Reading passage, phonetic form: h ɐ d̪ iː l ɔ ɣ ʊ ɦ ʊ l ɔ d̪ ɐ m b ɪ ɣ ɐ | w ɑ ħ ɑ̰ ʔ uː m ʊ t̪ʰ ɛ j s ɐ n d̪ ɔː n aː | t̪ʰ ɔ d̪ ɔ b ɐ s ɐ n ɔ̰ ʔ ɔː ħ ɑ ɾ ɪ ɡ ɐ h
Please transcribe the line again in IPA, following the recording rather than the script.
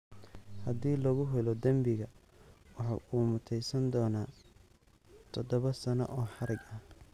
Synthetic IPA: h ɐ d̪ iː l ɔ ɣ ʊ ɦ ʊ l ɔ d̪ ɐ m b ɪ ɣ ɐ | w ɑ ħ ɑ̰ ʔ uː m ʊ t̪ʰ ɛ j s ɐ n d̪ ɔː n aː | t̪ʰ ɔ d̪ ɔ β ɐ s ɐ n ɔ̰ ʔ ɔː ħ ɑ ɾ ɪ ɡ ɐ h

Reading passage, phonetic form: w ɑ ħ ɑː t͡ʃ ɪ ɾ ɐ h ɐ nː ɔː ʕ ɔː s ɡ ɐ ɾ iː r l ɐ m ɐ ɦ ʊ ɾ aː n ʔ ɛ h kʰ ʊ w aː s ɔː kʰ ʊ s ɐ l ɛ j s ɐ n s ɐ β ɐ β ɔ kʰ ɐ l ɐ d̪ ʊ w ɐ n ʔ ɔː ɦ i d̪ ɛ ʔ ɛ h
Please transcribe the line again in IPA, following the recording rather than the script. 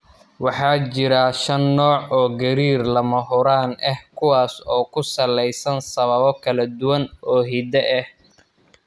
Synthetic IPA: w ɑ ħ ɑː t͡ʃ ɪ ɾ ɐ ʃ ɐ nː ɔː ʕ ɔː ɡ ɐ ɾ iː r l ɐ m ɐ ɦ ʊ ɾ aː n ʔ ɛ h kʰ ʊ w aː s ɔː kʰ ʊ s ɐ l ɛ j s ɐ n s ɐ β ɐ β ɔ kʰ ɐ l ɐ d̪ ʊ w ɐ n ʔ ɔː ɦ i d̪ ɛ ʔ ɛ h

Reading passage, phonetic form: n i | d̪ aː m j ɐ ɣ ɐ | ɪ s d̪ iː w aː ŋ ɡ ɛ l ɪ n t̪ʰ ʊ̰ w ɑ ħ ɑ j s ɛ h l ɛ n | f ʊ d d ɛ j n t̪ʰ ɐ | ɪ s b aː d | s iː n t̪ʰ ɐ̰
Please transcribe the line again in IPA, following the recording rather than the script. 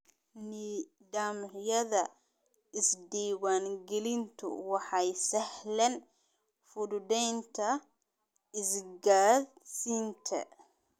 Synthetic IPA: n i | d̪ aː m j ɐ ð ɐ | ɪ s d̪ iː w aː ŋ ɡ ɛ l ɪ n t̪ʰ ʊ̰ w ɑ ħ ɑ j s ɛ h l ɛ n | f ʊ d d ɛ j n t̪ʰ ɐ | ɪ s ɡ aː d | s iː n t̪ʰ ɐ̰

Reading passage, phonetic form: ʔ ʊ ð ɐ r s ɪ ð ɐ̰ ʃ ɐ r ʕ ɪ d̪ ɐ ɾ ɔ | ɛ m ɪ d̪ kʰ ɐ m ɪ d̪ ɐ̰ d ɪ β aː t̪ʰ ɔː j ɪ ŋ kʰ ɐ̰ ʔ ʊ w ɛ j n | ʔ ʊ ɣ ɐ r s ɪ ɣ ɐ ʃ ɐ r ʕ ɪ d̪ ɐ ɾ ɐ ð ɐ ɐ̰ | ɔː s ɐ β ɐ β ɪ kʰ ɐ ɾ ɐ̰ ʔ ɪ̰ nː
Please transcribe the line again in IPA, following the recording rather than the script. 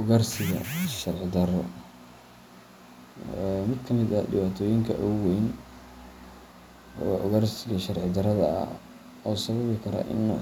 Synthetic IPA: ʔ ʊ ɣ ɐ r s ɪ ɣ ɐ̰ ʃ ɐ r ʕ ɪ d̪ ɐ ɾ ɔ | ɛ m ɪ d̪ kʰ ɐ m ɪ d̪ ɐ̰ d ɪ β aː t̪ʰ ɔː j ɪ ŋ kʰ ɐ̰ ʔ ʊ w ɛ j n | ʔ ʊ ɣ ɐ r s ɪ ɣ ɐ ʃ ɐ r ʕ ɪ d̪ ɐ ɾ ɐ ð ɐ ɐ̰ | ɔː s ɐ β ɐ β ɪ kʰ ɐ ɾ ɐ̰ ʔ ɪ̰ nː

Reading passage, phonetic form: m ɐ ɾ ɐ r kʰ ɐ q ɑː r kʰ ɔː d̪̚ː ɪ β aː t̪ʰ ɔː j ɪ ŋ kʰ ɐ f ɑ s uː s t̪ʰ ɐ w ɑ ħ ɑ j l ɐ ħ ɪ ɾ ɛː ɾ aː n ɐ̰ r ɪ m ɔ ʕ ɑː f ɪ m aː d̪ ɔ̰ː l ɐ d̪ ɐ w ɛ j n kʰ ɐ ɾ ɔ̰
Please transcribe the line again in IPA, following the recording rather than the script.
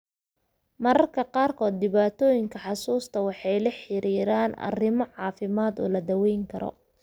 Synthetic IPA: m ɐ ɾ ɐ r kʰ ɐ q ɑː r kʰ ɔː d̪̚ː ɪ β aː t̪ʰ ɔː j ɪ ŋ kʰ ɐ ħ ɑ s uː s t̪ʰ ɐ w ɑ ħ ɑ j l ɐ ħ ɪ ɾ iː ɾ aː n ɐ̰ r ɪ m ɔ ʕ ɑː f ɪ m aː d̪ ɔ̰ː l ɐ d̪ ɐ w ɛ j ŋ kʰ ɐ ɾ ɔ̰

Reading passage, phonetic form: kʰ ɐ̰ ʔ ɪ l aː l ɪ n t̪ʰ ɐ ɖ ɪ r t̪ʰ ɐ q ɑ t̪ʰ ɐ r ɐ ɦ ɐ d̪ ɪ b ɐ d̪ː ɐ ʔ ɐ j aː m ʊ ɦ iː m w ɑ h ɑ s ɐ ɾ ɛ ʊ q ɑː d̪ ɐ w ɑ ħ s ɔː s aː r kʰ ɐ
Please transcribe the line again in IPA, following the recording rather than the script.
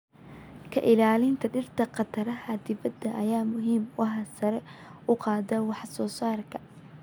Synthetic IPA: kʰ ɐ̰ ʔ ɪ l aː l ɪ n t̪ʰ ɐ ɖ ɪ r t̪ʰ ɐ q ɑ t̪ʰ ɐ ɾ ɐ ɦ ɐ d̪ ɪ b ɐ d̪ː ɐ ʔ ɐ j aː m ʊ ɦ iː m w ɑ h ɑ s ɐ ɾ ɛ ʊ q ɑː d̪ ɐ w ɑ ħ s ɔː s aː r kʰ ɐ

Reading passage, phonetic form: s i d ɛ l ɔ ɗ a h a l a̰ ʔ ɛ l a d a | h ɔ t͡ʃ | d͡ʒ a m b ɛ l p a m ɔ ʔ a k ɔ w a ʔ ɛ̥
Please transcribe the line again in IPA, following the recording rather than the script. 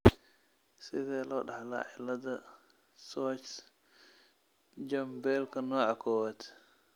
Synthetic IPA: s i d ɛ l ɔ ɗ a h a l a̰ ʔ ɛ l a d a | s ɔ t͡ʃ | d͡ʒ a m b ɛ l k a n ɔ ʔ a k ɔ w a t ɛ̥

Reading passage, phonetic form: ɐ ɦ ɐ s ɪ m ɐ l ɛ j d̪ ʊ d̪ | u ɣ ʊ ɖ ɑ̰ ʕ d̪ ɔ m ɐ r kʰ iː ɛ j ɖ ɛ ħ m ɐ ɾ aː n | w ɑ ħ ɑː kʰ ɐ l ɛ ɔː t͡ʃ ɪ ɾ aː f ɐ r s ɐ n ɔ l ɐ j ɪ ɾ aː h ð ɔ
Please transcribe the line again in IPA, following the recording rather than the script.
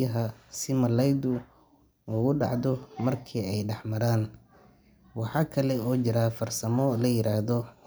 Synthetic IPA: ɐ ɦ ɐ s ɪ m ɐ l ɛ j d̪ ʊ | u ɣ ʊ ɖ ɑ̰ ʕ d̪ ɔ m ɐ r kʰ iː ɛ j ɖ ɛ ħ m ɐ ɾ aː n | w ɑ ħ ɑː kʰ ɐ l ɛ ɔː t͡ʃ ɪ ɾ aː f ɐ r s ɐ m ɔ l ɐ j ɪ ɾ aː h ð ɔ

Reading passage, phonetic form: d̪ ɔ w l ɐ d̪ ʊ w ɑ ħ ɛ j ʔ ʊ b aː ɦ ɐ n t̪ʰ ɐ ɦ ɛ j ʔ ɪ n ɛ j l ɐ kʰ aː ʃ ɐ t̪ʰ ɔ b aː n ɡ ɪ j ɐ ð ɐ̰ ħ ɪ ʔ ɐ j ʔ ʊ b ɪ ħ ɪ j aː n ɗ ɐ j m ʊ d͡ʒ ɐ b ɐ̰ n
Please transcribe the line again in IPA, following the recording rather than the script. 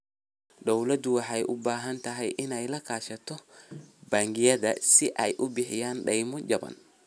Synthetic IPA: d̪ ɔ w l ɐ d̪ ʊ w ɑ ħ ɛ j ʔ ʊ b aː ɦ ɐ n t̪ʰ ɐ ɦ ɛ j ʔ ɪ n ɛ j l ɐ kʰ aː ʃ ɐ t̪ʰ ɔ b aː ŋ ɡ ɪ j ɐ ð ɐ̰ s ɪ ʔ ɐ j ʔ ʊ b ɪ ħ ɪ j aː n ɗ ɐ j m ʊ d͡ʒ ɐ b ɐ̰ n

